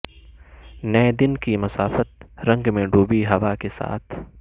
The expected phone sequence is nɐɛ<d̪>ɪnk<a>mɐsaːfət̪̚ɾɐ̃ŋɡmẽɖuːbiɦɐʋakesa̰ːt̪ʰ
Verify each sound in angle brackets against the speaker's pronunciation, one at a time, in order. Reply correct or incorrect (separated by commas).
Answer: correct, incorrect